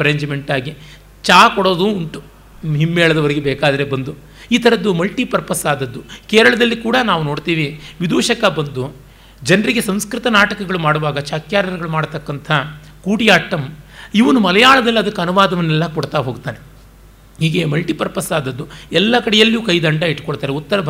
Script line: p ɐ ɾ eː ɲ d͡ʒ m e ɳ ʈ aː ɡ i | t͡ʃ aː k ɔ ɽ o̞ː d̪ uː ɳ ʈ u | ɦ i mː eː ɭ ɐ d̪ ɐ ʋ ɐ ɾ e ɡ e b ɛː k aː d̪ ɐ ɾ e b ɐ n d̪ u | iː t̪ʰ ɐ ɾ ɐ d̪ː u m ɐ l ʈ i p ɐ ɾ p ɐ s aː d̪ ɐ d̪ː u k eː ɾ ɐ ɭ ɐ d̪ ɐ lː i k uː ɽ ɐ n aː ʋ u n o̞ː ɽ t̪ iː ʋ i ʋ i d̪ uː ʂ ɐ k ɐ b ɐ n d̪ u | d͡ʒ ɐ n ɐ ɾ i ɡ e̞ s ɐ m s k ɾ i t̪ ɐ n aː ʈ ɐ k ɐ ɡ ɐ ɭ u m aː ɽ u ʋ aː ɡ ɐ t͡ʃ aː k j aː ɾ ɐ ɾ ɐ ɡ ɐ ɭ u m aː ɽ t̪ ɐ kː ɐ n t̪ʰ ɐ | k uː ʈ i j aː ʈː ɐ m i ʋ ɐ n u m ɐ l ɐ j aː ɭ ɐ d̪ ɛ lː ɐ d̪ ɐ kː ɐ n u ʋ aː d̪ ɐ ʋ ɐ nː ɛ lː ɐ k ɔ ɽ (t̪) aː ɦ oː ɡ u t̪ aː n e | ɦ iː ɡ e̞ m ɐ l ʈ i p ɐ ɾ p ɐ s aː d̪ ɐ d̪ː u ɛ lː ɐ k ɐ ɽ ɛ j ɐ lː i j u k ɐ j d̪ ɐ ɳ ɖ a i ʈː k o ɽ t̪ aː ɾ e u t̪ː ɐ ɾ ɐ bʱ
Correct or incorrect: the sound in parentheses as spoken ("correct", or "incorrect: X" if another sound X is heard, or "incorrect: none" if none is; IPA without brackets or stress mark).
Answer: correct